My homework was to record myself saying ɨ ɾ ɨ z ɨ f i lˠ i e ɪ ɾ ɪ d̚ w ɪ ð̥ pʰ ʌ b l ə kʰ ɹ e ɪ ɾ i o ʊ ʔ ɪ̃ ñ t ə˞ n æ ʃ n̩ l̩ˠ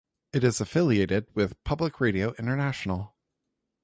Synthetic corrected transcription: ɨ ɾ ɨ z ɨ f ɪ lˠ i e ɪ ɾ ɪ d̚ w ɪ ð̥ pʰ ʌ b l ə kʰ ɹ e ɪ ɾ i o ʊ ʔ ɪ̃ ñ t ə˞ n æ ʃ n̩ l̩ˠ